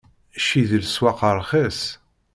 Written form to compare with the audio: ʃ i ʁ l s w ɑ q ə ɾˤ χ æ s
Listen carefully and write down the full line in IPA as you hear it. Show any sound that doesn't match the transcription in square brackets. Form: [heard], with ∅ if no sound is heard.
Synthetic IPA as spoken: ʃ i [ð] l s w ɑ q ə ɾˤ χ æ s